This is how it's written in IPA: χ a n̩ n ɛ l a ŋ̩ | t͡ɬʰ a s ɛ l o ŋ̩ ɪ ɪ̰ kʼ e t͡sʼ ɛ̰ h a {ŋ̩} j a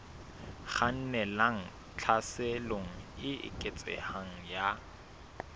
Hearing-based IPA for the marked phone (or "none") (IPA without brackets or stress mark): ŋ̩